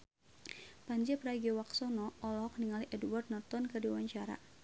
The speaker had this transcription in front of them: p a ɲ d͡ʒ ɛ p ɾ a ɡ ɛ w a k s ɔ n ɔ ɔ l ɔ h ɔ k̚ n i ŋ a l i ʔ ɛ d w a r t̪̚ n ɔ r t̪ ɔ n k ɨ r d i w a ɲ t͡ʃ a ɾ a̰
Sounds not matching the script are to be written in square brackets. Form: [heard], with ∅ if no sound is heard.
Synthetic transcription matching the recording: p a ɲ d͡ʒ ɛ p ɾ a ɡ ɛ w a k s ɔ n ɔ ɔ l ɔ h ɔ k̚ n i ŋ a l i ʔ ɛ d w a r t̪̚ n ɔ r t̪ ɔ n k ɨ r d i w a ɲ t͡ʃ a ɾ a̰